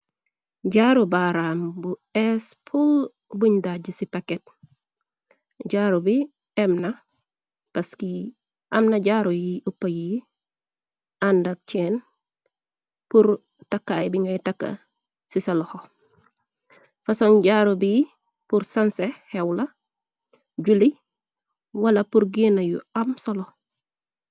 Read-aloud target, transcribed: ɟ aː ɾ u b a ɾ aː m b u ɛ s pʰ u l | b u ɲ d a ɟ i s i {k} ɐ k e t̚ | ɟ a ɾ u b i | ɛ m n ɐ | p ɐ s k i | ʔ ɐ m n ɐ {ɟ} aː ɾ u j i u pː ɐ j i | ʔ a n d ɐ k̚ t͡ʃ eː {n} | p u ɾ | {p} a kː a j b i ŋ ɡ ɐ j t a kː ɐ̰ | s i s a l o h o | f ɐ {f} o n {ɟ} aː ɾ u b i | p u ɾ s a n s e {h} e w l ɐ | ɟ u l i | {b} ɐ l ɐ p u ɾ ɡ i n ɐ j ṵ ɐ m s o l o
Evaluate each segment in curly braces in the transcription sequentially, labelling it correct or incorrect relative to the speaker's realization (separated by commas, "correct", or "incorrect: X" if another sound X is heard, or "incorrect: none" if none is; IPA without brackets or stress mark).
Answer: incorrect: p, correct, correct, incorrect: t, incorrect: s, correct, correct, incorrect: w